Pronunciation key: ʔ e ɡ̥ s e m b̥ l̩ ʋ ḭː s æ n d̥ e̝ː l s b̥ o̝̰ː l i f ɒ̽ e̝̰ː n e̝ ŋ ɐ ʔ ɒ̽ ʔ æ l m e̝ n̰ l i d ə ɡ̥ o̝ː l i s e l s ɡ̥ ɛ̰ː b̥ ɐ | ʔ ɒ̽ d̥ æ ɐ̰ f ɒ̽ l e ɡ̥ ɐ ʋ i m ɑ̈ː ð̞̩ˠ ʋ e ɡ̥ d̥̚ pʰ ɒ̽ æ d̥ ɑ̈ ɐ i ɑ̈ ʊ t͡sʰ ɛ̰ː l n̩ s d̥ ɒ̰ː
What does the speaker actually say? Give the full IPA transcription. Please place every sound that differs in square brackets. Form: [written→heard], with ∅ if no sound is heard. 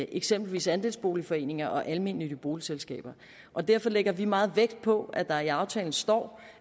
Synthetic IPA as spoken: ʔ e ɡ̥ s e m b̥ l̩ ʋ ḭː s æ n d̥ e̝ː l s b̥ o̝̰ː l i f ɒ̽ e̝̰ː n e̝ ŋ ɐ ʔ ɒ̽ ʔ æ l m e̝ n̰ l i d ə [ɡ̥→b̥] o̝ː l i s e l s ɡ̥ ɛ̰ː b̥ ɐ | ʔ ɒ̽ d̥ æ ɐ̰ f ɒ̽ l e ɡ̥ ɐ ʋ i m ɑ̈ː ð̞̩ˠ ʋ e ɡ̥ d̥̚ pʰ ɒ̽ æ d̥ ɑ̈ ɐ i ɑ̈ ʊ t͡sʰ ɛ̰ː l n̩ s d̥ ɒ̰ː